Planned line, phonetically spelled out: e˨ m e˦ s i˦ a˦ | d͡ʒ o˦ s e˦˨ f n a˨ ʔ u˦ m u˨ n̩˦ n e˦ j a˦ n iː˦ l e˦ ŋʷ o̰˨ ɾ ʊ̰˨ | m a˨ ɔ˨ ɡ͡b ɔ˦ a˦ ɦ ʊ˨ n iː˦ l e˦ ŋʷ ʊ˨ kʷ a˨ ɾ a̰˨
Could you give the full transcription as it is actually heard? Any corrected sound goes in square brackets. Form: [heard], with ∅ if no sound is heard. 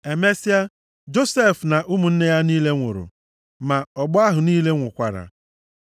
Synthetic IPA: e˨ m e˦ s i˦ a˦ | d͡ʒ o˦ s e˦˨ f n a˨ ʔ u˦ m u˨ n̩˦ n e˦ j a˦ n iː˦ l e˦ ŋʷ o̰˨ ɾ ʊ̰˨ | m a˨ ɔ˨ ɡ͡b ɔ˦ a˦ ɦ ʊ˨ n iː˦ l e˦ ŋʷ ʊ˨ kʷ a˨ ɾ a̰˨

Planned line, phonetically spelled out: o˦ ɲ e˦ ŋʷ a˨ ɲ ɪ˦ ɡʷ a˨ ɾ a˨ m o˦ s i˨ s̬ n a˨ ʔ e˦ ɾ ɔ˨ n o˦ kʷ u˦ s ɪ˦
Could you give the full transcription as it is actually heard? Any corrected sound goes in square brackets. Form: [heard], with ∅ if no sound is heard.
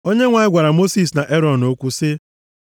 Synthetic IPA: o˦ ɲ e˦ ŋʷ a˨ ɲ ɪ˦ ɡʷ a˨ ɾ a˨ m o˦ s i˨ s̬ n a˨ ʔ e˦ ɾ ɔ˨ n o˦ kʷ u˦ s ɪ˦

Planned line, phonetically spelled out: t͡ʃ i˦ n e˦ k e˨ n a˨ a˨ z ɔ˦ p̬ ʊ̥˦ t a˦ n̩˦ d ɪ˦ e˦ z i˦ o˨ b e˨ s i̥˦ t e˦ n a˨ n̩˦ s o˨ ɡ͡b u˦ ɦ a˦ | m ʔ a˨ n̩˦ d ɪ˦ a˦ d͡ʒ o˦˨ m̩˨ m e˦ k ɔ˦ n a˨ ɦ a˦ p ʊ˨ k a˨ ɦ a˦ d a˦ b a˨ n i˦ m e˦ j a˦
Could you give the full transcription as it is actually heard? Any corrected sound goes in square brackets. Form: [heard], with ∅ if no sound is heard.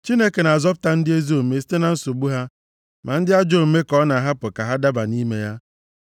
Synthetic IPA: t͡ʃ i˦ n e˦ k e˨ n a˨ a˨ z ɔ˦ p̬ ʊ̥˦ t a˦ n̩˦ d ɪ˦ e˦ z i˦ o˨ [m] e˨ s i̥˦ t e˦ n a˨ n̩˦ s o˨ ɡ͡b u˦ ɦ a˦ | m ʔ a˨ n̩˦ d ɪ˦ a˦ d͡ʒ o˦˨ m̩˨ m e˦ k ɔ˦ n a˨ ɦ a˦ p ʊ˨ k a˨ ɦ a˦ d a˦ b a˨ n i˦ m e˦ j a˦

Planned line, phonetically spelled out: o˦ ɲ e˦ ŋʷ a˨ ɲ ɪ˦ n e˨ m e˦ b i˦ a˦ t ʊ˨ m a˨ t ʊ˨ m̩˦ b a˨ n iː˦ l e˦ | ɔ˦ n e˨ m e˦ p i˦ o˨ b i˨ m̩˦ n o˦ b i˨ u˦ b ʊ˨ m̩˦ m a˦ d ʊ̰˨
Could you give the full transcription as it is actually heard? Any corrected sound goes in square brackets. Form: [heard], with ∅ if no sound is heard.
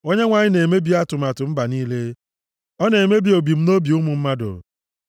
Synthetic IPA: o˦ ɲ e˦ ŋʷ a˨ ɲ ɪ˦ n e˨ m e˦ b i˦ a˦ t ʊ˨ m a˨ t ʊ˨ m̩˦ b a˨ n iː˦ l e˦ | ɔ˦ n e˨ m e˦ [b] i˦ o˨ b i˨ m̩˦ n o˦ b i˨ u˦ [m] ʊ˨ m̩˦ m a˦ d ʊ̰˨

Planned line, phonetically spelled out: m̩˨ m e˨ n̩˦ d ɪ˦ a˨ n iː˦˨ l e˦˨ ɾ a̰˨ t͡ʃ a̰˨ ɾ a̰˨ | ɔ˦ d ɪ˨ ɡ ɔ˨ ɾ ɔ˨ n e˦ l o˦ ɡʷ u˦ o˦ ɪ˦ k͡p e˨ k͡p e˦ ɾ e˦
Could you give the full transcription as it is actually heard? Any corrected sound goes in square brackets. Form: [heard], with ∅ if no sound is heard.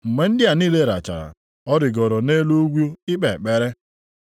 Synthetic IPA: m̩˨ m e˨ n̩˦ d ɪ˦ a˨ n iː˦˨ l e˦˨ ɾ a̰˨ t͡ʃ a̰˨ ɾ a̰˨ | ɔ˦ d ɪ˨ ɡ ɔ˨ ɾ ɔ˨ n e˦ l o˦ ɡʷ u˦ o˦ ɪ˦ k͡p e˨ k͡p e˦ ɾ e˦

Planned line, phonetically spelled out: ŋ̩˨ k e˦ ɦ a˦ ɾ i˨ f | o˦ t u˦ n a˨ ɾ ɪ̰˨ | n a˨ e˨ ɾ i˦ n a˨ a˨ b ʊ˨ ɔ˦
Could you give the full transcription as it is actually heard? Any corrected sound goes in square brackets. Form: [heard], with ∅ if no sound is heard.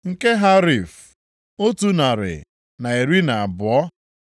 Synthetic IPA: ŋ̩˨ k e˦ ɦ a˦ ɾ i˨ f | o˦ t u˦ n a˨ ɾ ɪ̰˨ | n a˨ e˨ ɾ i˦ n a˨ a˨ b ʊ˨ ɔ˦

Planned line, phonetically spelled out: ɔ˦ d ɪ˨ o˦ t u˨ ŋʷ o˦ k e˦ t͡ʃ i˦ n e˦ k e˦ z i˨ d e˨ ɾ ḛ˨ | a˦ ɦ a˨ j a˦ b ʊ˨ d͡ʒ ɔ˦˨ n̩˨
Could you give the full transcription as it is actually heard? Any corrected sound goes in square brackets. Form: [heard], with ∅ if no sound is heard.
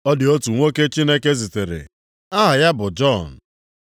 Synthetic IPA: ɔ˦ d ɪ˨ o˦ t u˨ ŋʷ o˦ k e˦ t͡ʃ i˦ n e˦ k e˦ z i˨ [t] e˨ ɾ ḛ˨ | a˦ ɦ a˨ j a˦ b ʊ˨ d͡ʒ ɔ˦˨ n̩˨

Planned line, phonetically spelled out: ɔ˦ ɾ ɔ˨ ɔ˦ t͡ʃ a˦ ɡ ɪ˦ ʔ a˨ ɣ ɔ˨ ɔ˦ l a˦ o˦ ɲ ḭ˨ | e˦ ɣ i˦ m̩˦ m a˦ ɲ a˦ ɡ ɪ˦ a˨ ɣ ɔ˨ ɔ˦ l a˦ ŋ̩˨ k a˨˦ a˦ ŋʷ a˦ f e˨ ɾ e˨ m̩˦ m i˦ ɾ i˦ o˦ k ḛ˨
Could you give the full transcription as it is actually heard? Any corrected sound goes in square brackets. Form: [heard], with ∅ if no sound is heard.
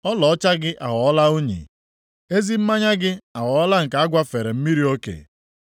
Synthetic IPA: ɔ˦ [l] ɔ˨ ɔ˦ t͡ʃ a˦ ɡ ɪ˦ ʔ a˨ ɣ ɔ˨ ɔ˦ l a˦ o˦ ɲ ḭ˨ | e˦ [z] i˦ m̩˦ m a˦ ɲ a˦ ɡ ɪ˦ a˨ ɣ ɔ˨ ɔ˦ l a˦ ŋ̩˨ k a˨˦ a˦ [ɡʷ] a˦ f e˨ ɾ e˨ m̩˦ m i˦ ɾ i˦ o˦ k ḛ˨

